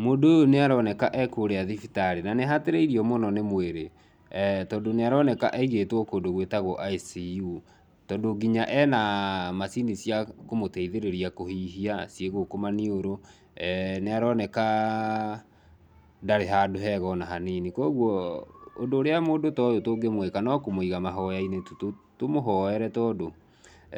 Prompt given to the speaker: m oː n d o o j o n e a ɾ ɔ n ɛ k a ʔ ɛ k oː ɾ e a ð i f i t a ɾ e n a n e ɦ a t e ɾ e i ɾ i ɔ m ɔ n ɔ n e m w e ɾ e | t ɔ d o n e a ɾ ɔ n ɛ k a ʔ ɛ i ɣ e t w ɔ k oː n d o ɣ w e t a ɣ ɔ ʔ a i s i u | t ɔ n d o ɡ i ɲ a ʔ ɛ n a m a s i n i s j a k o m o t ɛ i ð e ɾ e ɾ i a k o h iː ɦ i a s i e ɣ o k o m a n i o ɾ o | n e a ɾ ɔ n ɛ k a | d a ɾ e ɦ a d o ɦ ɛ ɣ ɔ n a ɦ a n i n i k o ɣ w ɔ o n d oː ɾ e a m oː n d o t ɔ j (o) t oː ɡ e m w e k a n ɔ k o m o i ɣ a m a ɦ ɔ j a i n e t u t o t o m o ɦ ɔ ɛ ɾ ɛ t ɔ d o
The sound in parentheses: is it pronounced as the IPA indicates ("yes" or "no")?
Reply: yes